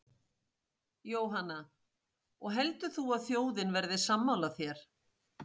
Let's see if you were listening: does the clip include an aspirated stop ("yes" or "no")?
no